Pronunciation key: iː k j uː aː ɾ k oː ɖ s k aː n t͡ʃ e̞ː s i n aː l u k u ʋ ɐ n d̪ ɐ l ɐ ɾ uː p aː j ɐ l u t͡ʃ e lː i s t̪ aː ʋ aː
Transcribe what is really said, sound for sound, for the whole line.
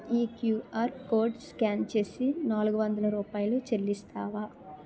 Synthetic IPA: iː k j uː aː ɾ k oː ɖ s k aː n t͡ʃ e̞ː s i n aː l u ɡ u ʋ ɐ n d̪ ɐ l ɐ ɾ uː p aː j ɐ l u t͡ʃ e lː i s t̪ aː ʋ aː